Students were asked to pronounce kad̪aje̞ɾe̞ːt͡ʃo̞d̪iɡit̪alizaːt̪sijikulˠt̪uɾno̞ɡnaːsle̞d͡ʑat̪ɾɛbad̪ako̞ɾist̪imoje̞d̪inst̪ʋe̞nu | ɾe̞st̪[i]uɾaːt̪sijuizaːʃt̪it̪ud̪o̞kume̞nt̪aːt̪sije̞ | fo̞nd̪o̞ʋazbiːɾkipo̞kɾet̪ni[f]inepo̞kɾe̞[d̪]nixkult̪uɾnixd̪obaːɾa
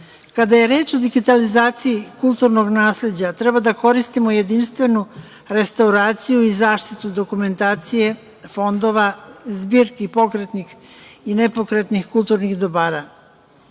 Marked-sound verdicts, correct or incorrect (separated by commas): incorrect, incorrect, incorrect